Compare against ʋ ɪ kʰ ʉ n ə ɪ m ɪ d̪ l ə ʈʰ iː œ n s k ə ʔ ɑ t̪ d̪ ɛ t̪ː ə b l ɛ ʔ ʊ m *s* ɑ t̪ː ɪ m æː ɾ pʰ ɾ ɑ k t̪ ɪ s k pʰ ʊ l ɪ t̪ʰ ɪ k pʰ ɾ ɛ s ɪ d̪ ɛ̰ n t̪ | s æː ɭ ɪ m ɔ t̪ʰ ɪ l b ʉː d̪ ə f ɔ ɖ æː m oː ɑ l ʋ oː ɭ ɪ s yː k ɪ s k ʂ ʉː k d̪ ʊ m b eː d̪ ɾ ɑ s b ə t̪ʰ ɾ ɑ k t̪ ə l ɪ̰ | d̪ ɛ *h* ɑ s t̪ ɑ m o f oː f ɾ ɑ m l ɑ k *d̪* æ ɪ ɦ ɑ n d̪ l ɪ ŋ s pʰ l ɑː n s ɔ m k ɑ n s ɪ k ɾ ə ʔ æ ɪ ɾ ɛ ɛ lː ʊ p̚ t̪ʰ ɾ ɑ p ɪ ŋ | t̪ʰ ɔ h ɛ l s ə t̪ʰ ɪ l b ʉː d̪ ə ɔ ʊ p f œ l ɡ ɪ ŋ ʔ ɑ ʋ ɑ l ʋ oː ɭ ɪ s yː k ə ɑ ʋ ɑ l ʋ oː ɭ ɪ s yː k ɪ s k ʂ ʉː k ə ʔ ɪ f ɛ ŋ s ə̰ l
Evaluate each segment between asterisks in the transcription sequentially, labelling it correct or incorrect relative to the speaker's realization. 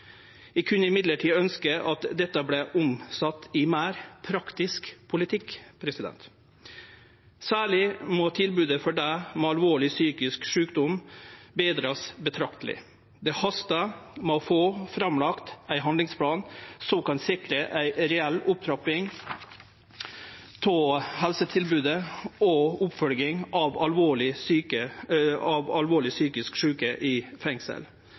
correct, correct, incorrect: t̪

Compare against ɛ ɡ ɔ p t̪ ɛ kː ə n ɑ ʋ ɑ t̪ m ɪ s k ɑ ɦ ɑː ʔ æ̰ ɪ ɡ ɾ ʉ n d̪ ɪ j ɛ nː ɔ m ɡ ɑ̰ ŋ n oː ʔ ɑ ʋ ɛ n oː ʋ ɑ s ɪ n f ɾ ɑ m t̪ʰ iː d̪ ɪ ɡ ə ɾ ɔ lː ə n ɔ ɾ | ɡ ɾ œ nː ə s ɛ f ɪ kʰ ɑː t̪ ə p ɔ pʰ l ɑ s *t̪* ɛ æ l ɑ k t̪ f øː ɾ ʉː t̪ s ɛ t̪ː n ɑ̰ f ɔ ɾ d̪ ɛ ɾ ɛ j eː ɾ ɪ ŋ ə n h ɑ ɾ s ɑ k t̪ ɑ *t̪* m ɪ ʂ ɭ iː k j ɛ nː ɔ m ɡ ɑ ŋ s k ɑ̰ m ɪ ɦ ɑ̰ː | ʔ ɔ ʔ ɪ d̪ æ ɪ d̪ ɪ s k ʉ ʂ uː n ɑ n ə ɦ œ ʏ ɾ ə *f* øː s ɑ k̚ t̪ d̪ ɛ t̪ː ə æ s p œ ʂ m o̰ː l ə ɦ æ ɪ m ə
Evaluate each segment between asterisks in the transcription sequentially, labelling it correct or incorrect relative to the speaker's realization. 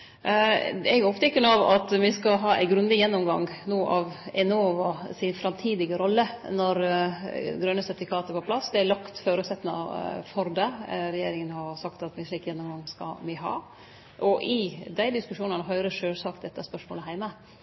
incorrect: d̪, correct, incorrect: ʂ

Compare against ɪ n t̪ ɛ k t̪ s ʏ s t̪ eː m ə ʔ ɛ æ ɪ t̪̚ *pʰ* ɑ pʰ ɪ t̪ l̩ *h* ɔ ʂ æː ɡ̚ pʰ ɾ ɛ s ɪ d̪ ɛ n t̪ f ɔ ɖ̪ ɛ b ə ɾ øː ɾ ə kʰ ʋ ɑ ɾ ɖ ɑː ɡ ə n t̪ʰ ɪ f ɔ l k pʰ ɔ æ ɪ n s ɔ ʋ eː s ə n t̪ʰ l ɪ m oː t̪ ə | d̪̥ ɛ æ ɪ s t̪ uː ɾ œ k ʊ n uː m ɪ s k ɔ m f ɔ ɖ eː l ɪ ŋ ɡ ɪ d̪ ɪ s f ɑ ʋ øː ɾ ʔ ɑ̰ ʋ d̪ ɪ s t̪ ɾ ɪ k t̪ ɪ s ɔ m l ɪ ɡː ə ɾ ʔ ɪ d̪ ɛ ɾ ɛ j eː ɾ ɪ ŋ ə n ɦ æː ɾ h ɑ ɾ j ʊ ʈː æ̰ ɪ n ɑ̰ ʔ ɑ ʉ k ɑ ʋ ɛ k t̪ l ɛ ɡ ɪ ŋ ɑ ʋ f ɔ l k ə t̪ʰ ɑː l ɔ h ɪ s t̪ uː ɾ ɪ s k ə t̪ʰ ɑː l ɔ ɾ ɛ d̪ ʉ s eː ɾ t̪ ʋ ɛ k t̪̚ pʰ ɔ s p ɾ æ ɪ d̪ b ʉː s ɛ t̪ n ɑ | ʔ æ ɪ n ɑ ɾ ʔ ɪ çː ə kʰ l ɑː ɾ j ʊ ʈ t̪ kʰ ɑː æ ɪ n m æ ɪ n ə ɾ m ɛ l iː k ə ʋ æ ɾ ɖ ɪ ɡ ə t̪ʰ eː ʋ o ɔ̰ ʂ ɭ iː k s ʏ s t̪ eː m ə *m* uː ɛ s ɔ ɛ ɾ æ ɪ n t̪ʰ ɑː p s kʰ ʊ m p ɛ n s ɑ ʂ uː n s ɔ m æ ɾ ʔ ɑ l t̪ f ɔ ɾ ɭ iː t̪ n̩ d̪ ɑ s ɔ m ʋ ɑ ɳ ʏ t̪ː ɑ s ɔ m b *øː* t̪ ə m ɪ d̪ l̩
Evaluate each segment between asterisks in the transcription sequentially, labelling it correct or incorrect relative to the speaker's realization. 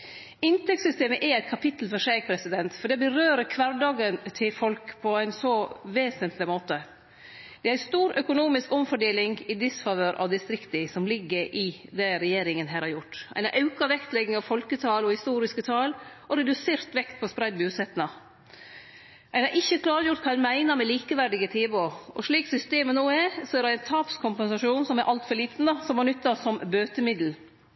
incorrect: kʰ, incorrect: f, incorrect: n, correct

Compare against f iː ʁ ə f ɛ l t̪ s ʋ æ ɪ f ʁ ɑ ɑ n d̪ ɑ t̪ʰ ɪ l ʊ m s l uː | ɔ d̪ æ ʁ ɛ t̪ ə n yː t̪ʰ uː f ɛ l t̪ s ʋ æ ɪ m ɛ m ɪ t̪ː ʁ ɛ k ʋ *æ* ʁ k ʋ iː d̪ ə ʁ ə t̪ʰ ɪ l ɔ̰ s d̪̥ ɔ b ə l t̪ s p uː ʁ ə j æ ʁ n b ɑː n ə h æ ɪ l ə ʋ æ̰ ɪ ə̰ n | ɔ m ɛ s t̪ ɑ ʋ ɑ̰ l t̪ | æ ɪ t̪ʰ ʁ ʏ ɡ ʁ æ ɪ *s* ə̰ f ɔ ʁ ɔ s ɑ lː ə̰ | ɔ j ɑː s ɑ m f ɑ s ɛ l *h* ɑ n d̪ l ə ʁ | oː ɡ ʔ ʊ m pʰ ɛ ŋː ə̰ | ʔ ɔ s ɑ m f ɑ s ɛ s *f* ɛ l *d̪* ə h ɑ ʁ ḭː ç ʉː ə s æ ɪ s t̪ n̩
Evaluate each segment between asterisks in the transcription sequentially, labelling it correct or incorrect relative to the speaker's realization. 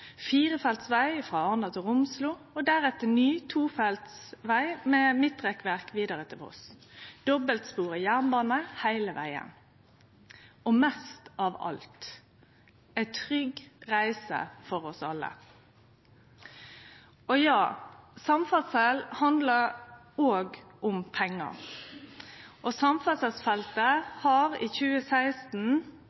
correct, correct, correct, correct, incorrect: t̪

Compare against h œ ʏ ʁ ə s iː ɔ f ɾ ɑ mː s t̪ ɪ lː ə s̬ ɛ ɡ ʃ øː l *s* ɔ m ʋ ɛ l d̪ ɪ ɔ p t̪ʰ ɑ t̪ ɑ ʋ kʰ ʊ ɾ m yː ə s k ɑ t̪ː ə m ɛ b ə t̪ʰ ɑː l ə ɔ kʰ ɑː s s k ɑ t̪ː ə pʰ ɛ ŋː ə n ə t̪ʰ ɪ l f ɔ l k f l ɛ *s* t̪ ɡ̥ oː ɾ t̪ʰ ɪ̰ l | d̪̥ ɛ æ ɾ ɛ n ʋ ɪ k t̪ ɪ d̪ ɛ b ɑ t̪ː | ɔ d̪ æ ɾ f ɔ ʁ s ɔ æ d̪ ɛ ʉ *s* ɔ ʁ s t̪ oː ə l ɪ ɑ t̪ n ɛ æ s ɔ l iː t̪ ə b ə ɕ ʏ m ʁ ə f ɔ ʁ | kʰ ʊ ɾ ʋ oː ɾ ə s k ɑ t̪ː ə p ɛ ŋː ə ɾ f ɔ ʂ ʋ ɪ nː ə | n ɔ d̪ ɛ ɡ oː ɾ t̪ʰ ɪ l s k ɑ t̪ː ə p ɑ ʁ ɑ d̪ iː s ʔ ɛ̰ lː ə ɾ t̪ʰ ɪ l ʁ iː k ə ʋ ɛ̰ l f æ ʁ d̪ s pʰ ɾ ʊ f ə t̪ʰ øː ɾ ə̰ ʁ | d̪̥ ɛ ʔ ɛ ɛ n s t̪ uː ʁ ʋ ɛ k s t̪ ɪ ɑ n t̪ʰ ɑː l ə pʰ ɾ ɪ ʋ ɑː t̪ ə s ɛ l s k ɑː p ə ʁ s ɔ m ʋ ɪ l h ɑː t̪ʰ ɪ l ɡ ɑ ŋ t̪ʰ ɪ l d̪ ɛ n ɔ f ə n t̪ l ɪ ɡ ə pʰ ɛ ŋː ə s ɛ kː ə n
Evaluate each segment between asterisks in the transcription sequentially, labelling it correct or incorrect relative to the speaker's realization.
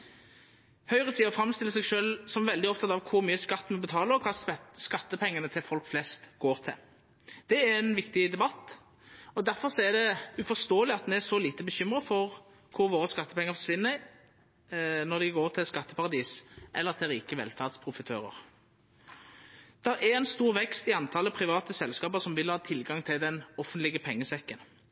correct, correct, incorrect: f

